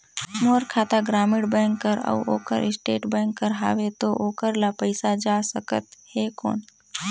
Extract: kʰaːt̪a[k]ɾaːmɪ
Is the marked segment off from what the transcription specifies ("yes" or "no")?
yes